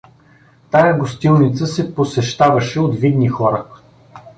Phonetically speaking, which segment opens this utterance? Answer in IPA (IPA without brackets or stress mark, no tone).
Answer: t̪